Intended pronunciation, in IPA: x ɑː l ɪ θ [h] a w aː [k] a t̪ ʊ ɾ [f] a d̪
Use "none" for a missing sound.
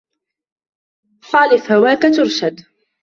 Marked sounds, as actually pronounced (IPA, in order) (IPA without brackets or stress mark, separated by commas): h, k, ʃ